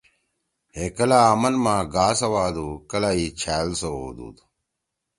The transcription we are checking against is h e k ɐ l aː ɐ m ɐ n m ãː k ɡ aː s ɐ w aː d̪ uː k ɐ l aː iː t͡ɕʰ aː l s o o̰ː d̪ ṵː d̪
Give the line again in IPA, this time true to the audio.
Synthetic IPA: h e k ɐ l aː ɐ m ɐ n m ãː ɡ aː s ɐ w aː d̪ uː k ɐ l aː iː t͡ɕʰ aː l s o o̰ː d̪ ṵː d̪